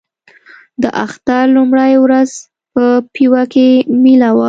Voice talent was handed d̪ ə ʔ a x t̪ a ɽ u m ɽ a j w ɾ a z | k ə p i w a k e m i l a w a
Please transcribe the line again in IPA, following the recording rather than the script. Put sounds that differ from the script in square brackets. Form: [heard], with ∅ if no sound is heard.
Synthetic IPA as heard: d̪ ə ʔ a x t̪ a [l] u m ɽ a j w ɾ a z | [p] ə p i w a k e m i l a w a